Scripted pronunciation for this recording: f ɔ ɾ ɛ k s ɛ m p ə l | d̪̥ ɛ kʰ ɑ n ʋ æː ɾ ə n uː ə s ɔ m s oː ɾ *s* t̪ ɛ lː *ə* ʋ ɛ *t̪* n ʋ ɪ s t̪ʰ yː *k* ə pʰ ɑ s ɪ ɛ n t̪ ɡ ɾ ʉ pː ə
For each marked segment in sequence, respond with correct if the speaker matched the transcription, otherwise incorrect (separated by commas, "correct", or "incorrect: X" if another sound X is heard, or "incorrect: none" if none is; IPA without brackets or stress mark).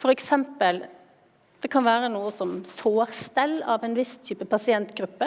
correct, incorrect: ɑ, incorrect: none, incorrect: p